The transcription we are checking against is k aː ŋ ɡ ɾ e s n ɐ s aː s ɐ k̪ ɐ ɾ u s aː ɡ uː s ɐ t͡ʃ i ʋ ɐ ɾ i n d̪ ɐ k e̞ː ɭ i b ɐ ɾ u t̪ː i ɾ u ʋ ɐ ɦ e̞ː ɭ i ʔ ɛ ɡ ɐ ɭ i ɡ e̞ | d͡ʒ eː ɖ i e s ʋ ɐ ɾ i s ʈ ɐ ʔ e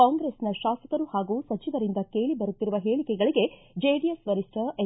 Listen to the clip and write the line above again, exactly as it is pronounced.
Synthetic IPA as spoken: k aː ŋ ɡ ɾ e s n ɐ ʃ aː s ɐ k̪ ɐ ɾ u h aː ɡ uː s ɐ t͡ʃ i ʋ ɐ ɾ i n d̪ ɐ k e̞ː ɭ i b ɐ ɾ u t̪ː i ɾ u ʋ ɐ ɦ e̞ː ɭ i k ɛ ɡ ɐ ɭ i ɡ e̞ | d͡ʒ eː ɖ i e s ʋ ɐ ɾ i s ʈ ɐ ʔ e

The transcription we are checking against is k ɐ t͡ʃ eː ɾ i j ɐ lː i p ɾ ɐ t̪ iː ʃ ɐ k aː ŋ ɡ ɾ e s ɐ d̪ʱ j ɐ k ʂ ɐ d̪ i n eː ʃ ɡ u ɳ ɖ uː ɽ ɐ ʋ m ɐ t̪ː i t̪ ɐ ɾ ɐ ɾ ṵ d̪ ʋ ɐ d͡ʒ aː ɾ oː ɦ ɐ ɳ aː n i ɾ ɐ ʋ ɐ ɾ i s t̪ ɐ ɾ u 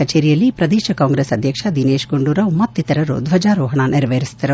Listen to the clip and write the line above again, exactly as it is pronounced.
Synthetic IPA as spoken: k ɐ t͡ʃ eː ɾ i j ɐ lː i p ɾ ɐ d̪ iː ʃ ɐ k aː ŋ ɡ ɾ e s ɐ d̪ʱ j ɐ k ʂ ɐ d̪ i n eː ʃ ɡ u ɳ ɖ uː ɾ ɐ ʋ m ɐ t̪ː i t̪ ɐ ɾ ɐ ɾ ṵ d̪ ʋ ɐ d͡ʒ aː ɾ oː ɦ ɐ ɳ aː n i ɾ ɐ ʋ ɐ ɾ i s t̪ ɐ ɾ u

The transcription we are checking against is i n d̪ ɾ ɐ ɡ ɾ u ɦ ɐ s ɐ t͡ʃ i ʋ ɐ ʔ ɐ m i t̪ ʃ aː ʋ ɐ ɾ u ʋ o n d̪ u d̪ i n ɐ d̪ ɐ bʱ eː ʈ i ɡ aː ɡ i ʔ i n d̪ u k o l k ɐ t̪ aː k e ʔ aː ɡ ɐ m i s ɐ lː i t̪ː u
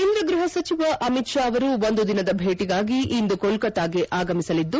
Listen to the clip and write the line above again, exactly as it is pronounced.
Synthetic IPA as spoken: i n d̪ ɾ ɐ ɡ ɾ u ɦ ɐ s ɐ t͡ʃ i ʋ ɐ ʔ ɐ m i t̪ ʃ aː ʋ ɐ ɾ u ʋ o n d̪ u d̪ i n ɐ d̪ ɐ bʱ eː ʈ i ɡ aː ɡ i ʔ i n d̪ u k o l k ɐ t̪ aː ɡ e ʔ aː ɡ ɐ m i s ɐ l i d̪ː u

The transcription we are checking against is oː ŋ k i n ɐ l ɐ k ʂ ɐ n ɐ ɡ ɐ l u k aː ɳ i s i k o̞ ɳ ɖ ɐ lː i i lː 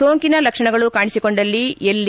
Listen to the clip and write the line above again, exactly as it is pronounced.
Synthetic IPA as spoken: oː ŋ k i n ɐ l ɐ k ʂ ɐ ɳ ɐ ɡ ɐ ɭ u k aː ɳ i s i k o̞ ɳ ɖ ɐ lː i e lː

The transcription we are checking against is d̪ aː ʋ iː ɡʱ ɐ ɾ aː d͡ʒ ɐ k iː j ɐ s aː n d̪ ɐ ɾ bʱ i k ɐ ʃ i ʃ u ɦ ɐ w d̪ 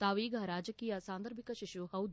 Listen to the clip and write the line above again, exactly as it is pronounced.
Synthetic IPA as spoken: t̪ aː ʋ iː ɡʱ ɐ ɾ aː d͡ʒ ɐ k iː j ɐ s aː n d̪ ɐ ɾ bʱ i k ɐ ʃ i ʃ u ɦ ɐ w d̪

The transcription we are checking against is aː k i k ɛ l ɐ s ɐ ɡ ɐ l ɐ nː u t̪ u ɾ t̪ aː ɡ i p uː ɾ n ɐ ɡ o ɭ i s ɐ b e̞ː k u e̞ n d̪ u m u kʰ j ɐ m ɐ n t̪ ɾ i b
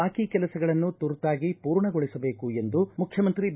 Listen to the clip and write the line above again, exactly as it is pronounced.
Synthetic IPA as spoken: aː k i k ɛ l ɐ s ɐ ɡ ɐ ɭ ɐ nː u t̪ u ɾ t̪ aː ɡ i p uː ɾ ɳ ɐ ɡ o ɭ i s ɐ b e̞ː k u e̞ n d̪ u m u kʰ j ɐ m ɐ n t̪ ɾ i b

